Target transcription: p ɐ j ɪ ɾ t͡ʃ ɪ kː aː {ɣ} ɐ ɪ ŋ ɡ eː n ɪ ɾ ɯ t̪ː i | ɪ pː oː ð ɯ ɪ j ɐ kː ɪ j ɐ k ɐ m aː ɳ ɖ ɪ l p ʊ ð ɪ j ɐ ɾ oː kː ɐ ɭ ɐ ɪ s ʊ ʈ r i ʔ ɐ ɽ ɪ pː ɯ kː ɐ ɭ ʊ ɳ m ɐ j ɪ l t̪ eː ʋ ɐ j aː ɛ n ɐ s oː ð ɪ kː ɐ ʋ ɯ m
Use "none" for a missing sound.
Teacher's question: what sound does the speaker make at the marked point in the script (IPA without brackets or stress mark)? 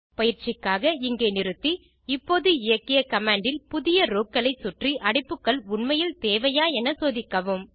ɣ